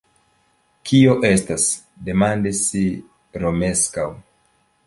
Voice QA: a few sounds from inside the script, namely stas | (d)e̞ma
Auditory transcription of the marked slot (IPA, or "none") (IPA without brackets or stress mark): d